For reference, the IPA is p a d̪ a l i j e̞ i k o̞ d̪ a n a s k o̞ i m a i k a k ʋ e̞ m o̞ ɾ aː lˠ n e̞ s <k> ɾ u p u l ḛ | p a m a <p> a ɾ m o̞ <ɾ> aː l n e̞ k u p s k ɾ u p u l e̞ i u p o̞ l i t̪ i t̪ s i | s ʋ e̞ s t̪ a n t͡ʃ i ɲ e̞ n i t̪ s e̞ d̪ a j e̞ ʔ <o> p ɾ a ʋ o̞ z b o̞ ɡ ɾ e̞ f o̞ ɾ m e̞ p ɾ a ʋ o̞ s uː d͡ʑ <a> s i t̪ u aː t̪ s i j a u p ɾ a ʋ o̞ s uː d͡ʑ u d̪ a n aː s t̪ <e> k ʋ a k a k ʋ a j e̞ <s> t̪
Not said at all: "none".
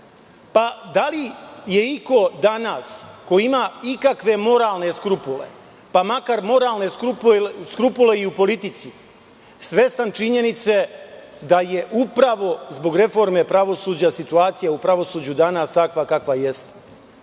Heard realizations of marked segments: k, k, ɾ, u, a, a, s

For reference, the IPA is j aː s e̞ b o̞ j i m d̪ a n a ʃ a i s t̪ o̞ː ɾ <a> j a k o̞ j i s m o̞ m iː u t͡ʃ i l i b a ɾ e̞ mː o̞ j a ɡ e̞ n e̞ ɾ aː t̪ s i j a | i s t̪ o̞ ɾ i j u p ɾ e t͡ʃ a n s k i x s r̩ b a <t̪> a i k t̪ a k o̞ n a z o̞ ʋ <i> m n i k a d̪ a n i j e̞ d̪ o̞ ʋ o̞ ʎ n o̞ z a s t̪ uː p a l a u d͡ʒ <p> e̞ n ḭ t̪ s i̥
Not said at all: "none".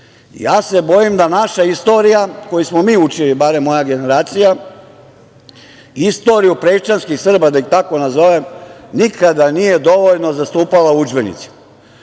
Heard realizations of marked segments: i, d̪, e, b

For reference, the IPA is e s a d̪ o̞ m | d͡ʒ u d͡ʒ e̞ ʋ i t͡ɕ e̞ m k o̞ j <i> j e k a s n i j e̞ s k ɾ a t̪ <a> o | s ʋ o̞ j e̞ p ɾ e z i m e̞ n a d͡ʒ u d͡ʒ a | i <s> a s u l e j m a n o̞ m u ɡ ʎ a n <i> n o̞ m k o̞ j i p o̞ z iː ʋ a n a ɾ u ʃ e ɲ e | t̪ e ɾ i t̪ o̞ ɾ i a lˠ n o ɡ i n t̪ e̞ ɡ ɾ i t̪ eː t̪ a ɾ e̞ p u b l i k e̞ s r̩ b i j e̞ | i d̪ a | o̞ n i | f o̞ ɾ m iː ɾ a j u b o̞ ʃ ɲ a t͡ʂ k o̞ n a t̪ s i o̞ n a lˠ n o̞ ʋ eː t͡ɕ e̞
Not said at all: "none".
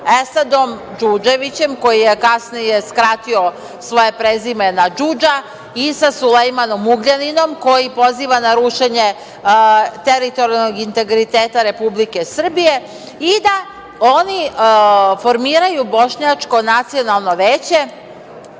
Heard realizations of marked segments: i, i, s, i

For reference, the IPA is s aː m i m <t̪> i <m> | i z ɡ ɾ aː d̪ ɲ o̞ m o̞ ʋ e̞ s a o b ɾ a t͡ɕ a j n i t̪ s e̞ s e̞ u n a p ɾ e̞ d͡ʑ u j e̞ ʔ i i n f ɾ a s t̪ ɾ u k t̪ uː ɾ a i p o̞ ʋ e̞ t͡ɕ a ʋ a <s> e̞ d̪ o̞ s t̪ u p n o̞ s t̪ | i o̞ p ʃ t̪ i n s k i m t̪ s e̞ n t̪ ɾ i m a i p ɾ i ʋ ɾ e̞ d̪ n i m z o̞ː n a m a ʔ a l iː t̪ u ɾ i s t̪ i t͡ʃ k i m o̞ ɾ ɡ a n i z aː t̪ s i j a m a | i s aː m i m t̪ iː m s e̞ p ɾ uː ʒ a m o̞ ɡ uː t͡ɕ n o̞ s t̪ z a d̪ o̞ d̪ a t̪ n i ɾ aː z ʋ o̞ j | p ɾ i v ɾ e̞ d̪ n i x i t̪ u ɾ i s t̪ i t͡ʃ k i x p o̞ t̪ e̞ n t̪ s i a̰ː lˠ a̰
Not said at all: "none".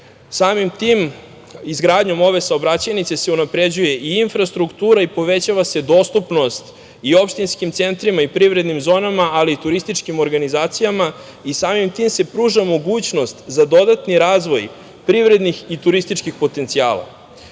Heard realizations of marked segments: t̪, m, s

